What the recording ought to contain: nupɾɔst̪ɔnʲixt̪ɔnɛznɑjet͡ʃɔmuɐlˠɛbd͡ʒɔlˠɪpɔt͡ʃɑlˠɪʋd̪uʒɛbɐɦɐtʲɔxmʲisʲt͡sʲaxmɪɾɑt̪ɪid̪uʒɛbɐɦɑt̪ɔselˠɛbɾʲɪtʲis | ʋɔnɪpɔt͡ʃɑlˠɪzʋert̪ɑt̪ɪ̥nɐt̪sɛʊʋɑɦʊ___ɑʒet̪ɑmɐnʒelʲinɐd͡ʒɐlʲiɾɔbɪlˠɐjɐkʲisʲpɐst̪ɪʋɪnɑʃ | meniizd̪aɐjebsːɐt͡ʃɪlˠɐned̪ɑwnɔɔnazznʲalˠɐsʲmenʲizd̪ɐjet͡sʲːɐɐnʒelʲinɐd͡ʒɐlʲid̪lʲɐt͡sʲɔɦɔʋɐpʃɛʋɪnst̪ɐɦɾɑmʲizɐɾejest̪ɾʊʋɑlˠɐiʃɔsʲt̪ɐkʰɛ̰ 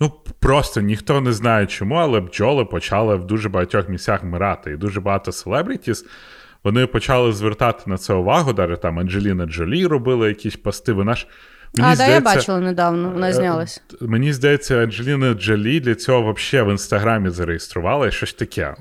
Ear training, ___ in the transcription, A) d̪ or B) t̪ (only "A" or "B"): A